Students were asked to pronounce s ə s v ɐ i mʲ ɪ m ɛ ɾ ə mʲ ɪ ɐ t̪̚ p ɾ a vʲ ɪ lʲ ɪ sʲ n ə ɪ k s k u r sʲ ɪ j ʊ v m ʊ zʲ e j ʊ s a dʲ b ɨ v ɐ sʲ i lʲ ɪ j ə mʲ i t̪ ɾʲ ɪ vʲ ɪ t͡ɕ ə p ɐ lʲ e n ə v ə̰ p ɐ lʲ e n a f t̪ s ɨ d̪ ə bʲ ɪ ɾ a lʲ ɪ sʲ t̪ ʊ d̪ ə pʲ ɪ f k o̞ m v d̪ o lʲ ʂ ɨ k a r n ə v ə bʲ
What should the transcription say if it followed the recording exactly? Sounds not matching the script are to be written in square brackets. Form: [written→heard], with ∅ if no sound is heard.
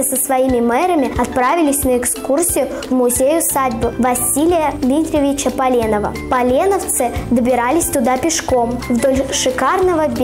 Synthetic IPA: s ə s v ɐ i mʲ ɪ m ɛ ɾ ə mʲ ɪ ɐ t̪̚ p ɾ a vʲ ɪ lʲ ɪ sʲ n ə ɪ k s k u r sʲ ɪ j ʊ v m ʊ zʲ e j ʊ s a dʲ b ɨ v ɐ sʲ i lʲ ɪ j ə mʲ i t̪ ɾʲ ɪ vʲ ɪ t͡ɕ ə p ɐ lʲ e n ə v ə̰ p ɐ lʲ e n [a→ə] f t̪ s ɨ d̪ ə bʲ ɪ ɾ a lʲ ɪ sʲ t̪ ʊ d̪ [ə→a] pʲ ɪ [f→ʂ] k o̞ m v d̪ o lʲ ʂ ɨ k a r n ə v ə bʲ